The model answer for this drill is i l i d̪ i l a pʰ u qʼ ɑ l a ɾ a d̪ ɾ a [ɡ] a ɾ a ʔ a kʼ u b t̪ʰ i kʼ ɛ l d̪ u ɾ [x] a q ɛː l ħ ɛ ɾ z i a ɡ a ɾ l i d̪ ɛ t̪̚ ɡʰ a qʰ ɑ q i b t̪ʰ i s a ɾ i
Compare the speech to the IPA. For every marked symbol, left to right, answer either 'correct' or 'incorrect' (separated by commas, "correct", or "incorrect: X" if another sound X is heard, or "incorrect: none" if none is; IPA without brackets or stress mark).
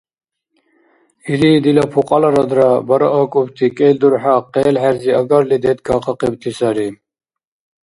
incorrect: b, incorrect: ħ